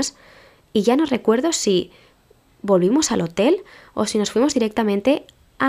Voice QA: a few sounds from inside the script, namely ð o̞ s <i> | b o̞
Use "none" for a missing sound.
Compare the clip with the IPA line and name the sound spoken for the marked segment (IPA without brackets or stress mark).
i